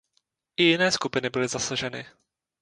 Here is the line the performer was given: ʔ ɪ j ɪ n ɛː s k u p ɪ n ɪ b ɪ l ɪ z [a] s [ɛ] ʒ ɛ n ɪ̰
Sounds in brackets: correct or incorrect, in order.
correct, incorrect: a

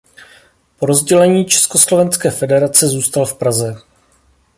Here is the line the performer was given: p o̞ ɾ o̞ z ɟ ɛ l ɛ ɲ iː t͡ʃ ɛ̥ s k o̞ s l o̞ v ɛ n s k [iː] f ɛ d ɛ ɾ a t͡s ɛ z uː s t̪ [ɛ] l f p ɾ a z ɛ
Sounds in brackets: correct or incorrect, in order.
incorrect: ɛː, incorrect: a

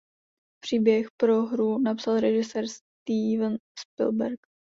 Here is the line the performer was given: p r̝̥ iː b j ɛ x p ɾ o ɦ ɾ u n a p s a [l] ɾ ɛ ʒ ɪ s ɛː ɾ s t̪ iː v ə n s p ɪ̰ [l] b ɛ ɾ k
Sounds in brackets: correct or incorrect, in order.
correct, correct

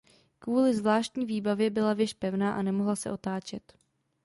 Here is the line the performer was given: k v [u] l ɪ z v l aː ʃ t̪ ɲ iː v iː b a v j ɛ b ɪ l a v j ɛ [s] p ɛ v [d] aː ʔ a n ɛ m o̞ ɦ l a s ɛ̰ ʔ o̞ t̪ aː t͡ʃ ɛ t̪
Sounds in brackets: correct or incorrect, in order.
incorrect: uː, incorrect: ʃ, incorrect: n

